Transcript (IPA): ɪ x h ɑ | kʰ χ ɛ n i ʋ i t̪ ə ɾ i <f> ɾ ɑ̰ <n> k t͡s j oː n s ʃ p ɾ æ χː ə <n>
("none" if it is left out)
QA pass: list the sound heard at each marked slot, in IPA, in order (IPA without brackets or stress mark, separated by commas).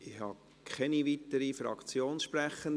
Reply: f, none, n